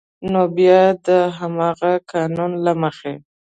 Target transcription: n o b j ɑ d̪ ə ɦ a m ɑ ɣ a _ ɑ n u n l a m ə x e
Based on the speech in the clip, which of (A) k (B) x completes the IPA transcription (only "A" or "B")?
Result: A